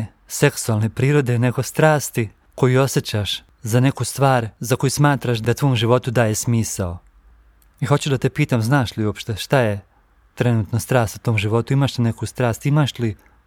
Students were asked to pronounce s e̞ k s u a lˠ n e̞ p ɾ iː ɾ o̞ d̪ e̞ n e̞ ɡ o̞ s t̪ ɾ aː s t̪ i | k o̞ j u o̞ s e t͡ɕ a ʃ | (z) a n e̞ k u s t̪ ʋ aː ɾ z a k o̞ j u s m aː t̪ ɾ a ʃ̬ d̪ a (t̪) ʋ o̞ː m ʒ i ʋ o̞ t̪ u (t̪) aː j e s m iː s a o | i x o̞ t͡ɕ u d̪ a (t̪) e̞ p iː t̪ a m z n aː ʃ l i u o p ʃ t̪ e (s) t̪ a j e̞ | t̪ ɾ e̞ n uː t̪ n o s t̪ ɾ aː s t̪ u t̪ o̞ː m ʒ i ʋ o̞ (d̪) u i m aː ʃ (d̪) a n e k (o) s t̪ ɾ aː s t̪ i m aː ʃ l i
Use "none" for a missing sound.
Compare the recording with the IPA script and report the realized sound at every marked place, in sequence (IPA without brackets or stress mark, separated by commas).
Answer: z, t̪, d̪, t̪, ʃ, t̪, t̪, u